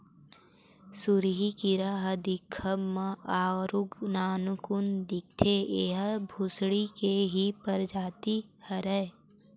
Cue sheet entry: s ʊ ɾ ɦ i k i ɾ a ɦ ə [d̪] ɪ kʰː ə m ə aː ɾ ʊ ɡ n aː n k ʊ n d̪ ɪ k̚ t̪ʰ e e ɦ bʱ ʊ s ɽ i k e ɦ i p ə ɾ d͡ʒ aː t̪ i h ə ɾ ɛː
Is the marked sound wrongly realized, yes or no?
no